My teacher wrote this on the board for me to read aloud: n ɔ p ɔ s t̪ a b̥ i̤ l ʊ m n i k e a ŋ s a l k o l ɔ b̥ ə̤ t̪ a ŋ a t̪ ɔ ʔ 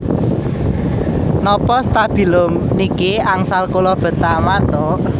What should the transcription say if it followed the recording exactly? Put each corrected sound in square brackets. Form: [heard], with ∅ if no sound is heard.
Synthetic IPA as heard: n ɔ p ɔ s t̪ a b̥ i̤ l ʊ m n i k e a ŋ s a l k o l ɔ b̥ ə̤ t̪ a [m] a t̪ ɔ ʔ